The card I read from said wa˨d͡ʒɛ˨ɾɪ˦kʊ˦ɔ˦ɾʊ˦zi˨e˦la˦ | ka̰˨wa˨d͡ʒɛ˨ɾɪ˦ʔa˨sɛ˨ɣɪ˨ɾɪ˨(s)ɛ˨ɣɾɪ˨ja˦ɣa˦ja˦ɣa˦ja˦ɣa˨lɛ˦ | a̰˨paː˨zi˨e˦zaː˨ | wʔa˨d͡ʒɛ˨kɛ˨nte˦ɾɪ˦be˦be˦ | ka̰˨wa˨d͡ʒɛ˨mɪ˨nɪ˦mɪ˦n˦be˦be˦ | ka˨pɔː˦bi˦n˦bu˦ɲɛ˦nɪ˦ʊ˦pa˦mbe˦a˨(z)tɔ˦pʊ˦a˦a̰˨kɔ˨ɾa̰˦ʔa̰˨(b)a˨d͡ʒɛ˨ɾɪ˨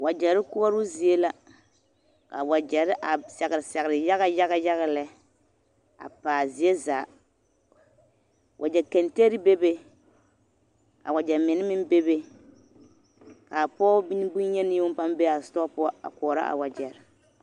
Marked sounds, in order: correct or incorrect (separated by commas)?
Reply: correct, incorrect, incorrect